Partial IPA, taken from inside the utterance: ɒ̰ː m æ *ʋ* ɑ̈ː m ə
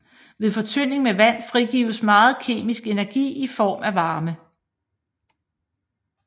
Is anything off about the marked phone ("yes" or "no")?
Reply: no